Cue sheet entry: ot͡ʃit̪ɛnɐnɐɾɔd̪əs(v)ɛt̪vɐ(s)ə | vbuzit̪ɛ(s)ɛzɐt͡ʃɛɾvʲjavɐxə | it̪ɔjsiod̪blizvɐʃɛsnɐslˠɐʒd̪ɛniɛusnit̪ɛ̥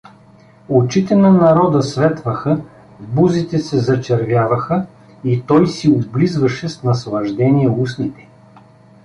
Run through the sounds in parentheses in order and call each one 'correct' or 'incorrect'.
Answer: correct, incorrect: x, correct

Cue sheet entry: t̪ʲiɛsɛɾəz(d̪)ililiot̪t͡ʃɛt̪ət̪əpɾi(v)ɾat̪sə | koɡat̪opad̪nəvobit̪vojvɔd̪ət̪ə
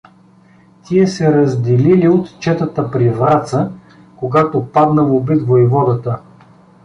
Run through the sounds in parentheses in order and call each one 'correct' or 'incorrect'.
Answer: correct, correct

